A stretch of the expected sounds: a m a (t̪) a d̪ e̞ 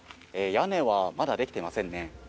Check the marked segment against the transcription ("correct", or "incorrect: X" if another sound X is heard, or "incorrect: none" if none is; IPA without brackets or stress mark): incorrect: d̪